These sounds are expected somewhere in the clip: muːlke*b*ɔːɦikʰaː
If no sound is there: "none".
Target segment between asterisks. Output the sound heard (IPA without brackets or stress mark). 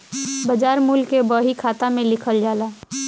b